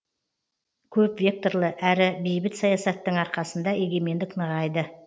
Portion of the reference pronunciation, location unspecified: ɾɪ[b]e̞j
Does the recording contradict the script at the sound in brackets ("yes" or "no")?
no